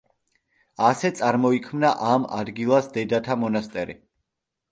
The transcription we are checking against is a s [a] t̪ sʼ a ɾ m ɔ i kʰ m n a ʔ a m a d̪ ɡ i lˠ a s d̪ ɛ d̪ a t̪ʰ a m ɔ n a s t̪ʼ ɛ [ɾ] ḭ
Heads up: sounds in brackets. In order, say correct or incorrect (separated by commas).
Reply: incorrect, correct